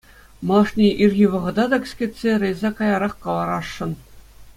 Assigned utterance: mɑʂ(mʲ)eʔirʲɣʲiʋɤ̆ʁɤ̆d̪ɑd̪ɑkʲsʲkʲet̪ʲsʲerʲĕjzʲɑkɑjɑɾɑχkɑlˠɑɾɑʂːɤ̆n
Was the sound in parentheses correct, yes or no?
no